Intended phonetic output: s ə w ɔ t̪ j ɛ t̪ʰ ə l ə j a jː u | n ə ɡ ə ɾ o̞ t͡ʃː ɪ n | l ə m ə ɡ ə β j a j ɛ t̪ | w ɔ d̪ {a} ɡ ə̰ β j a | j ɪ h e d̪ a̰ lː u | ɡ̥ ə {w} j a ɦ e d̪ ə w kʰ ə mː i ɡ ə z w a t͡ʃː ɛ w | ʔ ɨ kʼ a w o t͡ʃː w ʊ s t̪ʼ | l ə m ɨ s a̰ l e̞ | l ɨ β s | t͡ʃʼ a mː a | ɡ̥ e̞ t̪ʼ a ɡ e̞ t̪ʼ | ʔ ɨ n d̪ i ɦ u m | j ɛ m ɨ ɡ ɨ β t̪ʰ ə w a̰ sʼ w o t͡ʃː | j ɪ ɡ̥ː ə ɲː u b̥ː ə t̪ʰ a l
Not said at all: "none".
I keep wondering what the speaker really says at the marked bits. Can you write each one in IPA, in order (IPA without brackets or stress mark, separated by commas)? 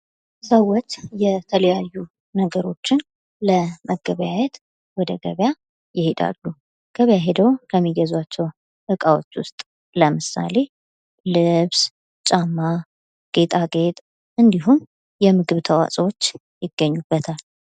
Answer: ə, β